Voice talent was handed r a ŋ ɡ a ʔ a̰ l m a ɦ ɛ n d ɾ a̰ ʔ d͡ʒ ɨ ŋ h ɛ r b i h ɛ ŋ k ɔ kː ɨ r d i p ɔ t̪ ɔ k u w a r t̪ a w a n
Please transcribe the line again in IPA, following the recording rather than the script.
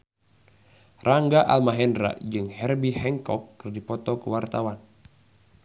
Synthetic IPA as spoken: r a ŋ ɡ a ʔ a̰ l m a ɦ ɛ n d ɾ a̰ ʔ d͡ʒ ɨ ŋ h ɛ r b i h ɛ ŋ k ɔ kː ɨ r d i p ɔ t̪ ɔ k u w a r t̪ a w a n